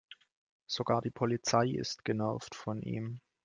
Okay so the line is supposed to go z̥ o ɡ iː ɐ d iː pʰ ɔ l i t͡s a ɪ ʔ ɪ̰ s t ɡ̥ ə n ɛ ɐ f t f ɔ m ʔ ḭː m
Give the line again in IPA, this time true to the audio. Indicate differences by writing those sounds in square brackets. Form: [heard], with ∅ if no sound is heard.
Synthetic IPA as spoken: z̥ o ɡ [aː] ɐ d iː pʰ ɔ l i t͡s a ɪ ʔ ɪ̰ s t ɡ̥ ə n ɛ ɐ f t f ɔ [n] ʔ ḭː m